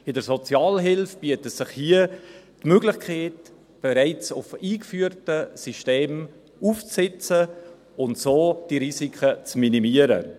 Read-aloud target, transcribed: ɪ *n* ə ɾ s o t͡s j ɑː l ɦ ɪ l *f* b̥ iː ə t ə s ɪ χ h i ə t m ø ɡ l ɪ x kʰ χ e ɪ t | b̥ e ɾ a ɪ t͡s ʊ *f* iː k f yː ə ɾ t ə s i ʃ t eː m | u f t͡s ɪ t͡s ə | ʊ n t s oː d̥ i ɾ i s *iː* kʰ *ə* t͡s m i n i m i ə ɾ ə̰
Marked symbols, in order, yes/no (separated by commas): no, yes, yes, no, yes